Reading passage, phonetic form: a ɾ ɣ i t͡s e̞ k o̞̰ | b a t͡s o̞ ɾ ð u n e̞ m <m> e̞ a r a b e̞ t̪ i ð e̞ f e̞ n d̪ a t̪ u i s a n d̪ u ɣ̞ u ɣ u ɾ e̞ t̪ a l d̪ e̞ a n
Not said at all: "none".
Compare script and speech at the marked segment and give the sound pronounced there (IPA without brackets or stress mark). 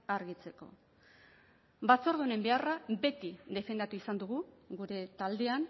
b